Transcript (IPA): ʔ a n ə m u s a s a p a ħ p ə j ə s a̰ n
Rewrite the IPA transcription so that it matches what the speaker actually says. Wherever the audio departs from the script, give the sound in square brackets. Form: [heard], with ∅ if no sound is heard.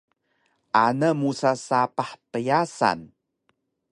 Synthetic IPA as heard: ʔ a n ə m u s a s a p a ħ p ə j [a] s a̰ n